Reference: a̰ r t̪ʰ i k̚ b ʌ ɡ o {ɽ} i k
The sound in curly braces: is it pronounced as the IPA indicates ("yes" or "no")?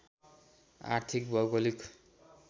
no